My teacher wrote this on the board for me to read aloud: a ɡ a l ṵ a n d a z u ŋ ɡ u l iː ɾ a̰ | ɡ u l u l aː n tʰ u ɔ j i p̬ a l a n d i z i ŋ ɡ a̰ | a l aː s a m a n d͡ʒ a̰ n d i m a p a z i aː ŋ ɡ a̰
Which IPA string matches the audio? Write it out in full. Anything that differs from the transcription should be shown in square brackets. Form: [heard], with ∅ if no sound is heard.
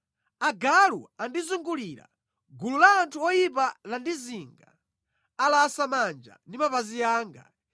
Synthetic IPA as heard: a ɡ a l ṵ a n d [i] z u ŋ ɡ u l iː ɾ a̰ | ɡ u l u l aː n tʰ u ɔ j i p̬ a l a n d i z i ŋ ɡ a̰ | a l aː s a m a n d͡ʒ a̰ n d i m a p a z i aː ŋ ɡ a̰